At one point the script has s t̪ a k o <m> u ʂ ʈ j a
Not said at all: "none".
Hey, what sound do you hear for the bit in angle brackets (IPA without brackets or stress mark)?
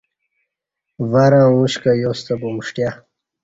m